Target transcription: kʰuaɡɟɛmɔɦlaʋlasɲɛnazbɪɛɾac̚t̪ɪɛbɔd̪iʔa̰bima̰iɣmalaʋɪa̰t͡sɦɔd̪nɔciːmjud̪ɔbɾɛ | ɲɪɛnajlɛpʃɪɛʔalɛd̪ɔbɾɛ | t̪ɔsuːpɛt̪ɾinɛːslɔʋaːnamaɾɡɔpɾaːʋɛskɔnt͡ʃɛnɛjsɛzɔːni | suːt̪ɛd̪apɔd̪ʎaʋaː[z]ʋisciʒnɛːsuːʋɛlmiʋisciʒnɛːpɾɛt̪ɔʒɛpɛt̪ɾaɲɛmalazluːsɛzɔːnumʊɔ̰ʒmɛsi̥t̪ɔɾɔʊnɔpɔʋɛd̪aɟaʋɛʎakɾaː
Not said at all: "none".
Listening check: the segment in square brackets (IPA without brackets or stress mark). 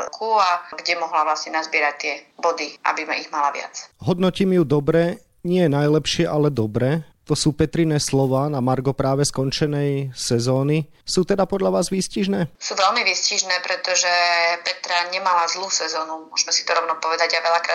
z